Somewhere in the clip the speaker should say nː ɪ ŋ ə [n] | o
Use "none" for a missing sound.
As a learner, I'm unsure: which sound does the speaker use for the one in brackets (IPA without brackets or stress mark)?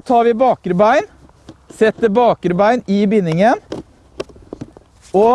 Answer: n